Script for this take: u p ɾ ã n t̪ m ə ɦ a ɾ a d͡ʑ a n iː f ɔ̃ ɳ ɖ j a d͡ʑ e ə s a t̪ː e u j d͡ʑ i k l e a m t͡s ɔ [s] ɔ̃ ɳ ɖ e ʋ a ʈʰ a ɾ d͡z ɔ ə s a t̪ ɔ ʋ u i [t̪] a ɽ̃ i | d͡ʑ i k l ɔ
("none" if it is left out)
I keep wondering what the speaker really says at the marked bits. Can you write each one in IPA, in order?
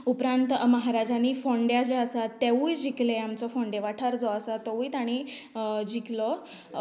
f, t̪

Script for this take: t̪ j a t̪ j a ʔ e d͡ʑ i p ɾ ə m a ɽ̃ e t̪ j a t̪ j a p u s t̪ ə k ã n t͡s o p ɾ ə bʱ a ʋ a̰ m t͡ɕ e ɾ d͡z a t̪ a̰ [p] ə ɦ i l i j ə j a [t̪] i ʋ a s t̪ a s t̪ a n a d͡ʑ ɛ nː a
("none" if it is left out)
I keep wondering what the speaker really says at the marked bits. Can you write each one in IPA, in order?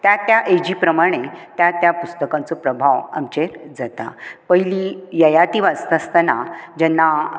p, t̪

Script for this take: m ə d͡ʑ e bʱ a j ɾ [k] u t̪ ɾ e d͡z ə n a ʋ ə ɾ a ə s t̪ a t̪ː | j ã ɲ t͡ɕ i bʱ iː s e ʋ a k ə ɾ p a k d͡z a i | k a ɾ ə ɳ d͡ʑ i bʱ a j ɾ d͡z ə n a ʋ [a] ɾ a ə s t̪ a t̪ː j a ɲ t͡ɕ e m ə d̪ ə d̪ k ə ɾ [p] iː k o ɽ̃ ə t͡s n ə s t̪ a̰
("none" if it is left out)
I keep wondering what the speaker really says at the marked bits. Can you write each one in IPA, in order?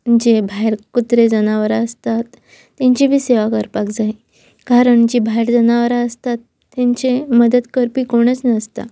k, ə, p

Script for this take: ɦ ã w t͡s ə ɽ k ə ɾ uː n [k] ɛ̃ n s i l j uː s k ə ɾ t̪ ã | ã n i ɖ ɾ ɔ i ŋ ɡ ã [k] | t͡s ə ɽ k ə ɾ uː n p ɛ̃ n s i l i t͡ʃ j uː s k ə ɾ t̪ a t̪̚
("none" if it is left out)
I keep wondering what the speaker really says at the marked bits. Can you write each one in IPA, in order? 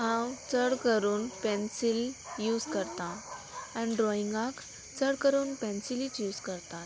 p, k

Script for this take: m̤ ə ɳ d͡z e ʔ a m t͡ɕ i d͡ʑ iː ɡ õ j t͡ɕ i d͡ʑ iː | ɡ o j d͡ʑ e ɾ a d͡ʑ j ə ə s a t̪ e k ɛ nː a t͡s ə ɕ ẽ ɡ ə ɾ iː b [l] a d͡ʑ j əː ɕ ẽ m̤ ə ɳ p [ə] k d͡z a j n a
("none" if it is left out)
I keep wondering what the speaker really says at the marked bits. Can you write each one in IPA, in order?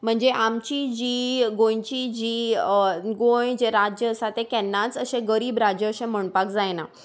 ɾ, a

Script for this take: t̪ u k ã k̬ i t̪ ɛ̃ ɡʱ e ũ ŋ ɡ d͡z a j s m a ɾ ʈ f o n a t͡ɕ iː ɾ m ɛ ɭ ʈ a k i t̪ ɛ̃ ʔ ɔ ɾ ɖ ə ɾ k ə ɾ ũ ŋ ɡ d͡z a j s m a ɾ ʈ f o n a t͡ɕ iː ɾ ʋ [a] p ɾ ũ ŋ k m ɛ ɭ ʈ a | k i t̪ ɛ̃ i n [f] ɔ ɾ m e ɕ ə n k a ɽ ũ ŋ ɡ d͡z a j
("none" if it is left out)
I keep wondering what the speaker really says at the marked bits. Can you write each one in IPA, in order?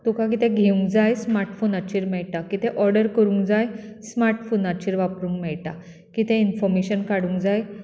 a, f

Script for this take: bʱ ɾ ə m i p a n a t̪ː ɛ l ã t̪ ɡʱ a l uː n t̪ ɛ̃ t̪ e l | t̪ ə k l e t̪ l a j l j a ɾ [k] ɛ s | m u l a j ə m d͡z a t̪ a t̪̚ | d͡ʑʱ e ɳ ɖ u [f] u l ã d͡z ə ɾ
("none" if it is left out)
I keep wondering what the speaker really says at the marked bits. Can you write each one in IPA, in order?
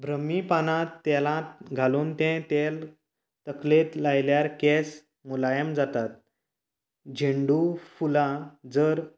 k, f

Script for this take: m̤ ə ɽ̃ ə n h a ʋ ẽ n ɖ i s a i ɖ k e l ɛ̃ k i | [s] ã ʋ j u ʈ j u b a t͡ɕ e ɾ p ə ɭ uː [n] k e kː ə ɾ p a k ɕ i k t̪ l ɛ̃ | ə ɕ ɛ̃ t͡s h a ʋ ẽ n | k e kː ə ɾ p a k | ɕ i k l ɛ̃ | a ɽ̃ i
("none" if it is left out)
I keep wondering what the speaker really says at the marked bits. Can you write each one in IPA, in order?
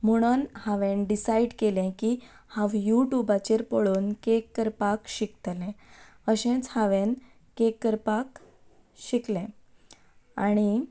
h, n

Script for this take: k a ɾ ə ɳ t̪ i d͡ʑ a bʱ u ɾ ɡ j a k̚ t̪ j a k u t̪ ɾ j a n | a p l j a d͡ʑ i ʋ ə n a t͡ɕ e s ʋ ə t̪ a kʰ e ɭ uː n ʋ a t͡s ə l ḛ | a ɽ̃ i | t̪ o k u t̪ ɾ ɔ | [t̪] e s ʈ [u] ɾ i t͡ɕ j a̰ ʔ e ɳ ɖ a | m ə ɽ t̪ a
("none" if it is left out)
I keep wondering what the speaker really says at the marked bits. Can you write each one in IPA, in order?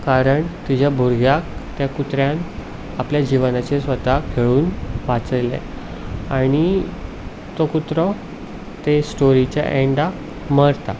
t̪, o

